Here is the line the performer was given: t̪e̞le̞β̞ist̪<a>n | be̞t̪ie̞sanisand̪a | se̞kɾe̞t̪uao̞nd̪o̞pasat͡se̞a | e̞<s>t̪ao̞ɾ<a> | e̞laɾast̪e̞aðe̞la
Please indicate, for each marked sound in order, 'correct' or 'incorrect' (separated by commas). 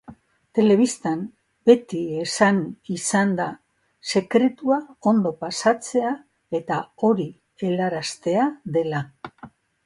correct, incorrect, incorrect